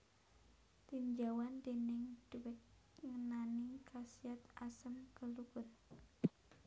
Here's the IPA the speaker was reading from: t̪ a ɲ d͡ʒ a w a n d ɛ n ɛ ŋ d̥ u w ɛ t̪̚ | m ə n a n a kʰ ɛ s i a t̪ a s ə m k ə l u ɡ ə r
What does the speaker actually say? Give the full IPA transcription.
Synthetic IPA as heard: t̪ i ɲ d͡ʒ a w a n d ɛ n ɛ ŋ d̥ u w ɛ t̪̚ | ŋ ə n a n i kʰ a s i a t̪ a s ə m k ə l u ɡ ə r